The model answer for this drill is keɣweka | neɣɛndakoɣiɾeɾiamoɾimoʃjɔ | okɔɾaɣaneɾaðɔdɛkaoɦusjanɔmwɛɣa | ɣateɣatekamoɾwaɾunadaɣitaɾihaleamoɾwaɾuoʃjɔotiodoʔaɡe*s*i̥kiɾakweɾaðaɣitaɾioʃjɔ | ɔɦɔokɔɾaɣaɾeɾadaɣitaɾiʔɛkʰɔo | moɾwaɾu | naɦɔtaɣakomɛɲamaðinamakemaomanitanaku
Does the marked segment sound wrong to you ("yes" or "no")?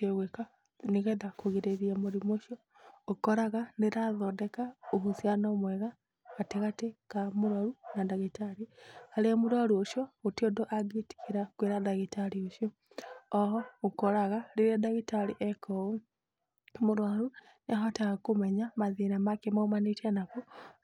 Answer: yes